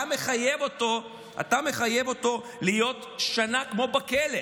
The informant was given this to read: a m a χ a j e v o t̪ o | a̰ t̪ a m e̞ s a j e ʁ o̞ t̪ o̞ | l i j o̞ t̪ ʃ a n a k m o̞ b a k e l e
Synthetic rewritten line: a m e χ a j e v o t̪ o | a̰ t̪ a m e̞ χ a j e v o̞ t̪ o̞ | l i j o̞ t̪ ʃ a n a k m o̞ b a k e l e